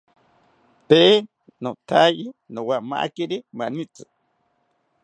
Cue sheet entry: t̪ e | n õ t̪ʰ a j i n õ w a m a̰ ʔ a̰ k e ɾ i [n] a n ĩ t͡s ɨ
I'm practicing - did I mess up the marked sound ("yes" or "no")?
yes